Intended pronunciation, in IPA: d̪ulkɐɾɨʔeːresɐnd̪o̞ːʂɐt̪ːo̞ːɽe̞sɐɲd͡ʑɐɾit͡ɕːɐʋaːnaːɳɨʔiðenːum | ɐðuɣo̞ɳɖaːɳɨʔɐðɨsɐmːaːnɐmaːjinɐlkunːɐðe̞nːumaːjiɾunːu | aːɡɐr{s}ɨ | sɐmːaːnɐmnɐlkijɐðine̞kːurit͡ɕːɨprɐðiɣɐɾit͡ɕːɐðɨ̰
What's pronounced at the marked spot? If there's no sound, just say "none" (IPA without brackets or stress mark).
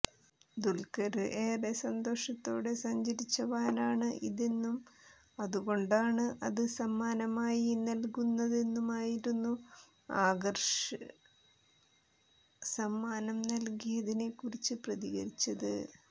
ʂ